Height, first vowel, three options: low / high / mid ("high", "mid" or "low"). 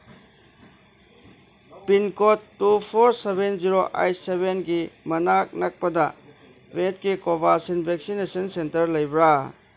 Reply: high